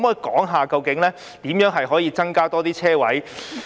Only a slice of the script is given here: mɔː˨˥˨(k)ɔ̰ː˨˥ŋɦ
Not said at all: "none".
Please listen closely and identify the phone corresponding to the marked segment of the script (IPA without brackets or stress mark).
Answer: k